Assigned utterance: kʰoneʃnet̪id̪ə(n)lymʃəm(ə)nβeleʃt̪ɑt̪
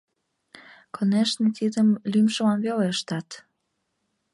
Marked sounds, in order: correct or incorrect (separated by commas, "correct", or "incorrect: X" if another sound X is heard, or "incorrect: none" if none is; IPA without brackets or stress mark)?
incorrect: m, incorrect: ɑ